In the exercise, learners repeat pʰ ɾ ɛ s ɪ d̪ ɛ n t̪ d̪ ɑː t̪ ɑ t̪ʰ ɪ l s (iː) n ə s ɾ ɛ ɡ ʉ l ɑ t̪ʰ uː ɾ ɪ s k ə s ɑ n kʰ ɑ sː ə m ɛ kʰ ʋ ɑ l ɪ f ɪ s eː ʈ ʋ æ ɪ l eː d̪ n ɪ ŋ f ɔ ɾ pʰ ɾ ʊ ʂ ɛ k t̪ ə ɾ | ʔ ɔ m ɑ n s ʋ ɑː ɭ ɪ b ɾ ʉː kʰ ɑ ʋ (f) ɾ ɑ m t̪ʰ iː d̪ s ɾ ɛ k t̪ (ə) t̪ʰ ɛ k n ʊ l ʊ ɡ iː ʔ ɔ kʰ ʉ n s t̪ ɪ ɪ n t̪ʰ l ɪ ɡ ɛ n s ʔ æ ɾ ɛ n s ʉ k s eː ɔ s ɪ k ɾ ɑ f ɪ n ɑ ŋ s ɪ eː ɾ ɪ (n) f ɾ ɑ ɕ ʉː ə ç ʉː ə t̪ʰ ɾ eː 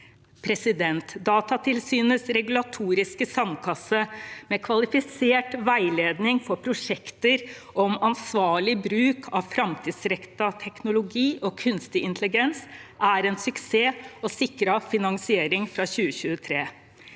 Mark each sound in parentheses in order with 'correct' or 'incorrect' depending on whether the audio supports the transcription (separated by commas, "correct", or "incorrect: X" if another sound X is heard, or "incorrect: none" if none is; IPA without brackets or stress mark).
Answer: incorrect: yː, correct, incorrect: ɑ, incorrect: ŋ